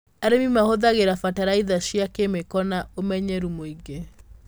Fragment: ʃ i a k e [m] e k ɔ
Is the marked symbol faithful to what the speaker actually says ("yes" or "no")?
yes